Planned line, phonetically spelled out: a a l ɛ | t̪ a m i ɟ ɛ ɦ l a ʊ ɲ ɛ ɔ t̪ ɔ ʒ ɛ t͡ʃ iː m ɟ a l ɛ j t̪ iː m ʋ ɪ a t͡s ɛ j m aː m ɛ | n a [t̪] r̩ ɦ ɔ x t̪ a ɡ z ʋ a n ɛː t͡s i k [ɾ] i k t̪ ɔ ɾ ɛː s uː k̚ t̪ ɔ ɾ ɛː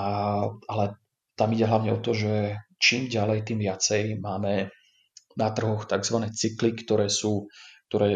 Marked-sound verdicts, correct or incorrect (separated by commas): correct, incorrect